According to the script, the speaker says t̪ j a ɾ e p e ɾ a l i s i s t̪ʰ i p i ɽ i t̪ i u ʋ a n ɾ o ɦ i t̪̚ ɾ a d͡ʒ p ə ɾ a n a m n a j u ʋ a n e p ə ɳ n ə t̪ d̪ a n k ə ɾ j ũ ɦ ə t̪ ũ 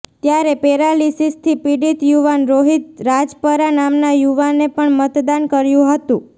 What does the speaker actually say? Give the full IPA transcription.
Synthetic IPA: t̪ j a ɾ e p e ɾ a l i s i s t̪ʰ i p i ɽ i t̪ j u ʋ a n ɾ o ɦ i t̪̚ ɾ a d͡ʒ p ə ɾ a n a m n a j u ʋ a n e p ə ɳ m ə t̪ d̪ a n k ə ɾ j ũ ɦ ə t̪ ũ